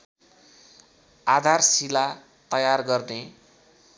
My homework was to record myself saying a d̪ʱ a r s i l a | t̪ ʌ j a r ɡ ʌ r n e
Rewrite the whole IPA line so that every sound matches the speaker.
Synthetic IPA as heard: a d̪ʱ a r s i l a | t̪ ʌ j a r ɡ ʌ r n e